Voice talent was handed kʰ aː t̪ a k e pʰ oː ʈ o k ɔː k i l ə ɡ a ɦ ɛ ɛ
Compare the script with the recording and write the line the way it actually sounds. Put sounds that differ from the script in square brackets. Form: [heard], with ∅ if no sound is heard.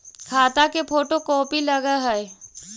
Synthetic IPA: kʰ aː t̪ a k e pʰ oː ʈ o k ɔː [p] i l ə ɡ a ɦ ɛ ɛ